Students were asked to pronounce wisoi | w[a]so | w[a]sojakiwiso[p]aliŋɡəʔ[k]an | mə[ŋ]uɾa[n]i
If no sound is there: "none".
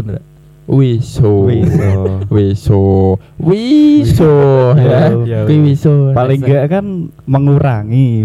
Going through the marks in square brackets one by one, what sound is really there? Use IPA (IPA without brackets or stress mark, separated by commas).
i, i, p, k, ŋ, ŋ